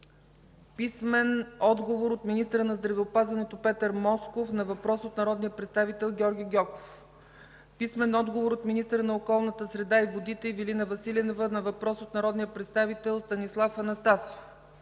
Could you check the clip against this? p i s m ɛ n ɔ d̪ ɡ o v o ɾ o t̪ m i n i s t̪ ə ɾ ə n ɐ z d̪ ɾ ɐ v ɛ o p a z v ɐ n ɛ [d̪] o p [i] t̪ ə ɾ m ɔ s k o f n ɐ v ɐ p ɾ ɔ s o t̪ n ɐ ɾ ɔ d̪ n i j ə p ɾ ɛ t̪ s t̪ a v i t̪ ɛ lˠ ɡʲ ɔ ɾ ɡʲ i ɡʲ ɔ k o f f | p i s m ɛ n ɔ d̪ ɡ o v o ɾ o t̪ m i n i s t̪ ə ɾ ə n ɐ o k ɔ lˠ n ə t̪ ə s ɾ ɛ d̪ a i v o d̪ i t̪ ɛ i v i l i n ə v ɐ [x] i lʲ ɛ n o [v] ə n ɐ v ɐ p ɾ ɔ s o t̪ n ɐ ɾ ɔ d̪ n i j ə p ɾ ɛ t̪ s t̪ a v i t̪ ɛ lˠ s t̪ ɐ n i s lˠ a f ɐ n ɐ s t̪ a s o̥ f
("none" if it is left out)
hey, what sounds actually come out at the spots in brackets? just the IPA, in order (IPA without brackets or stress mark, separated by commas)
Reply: t̪, ɛ, s, v